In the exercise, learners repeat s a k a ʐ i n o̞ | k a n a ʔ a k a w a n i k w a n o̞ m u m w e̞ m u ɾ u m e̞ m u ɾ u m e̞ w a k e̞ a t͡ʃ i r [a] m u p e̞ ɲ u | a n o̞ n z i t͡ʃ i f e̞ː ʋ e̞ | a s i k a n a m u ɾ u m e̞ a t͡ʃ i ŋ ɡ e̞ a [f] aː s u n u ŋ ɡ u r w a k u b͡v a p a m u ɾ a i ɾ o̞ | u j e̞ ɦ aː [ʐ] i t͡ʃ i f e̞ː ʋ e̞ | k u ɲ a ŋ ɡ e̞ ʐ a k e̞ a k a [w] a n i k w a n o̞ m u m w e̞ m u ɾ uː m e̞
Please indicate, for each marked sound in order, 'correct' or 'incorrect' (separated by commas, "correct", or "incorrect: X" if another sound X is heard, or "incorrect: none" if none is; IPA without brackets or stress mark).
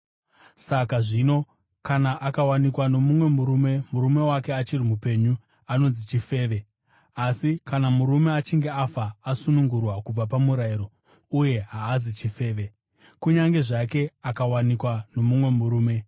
incorrect: i, correct, incorrect: z, correct